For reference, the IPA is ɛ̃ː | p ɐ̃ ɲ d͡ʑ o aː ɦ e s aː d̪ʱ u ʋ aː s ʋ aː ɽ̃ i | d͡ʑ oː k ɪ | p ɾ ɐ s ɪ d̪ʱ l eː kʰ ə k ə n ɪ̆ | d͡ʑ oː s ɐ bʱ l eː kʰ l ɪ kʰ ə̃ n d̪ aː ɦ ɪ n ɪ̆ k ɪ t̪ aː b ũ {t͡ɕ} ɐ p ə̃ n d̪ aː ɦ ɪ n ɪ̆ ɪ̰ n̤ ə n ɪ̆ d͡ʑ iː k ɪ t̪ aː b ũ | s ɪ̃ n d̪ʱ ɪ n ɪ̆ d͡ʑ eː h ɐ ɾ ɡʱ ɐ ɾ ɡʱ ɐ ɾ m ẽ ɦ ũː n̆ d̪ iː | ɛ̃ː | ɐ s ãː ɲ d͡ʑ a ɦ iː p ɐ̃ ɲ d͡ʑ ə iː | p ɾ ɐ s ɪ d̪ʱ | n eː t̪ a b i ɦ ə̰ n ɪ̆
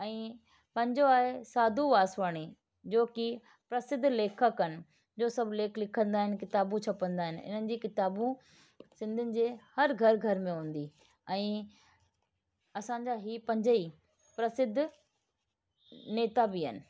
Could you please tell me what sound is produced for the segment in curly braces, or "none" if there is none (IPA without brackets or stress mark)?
t͡ɕʰ